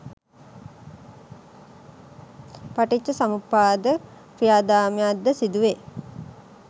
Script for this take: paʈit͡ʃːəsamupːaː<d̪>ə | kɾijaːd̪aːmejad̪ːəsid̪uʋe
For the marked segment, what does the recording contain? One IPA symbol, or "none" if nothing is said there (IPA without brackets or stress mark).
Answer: d̪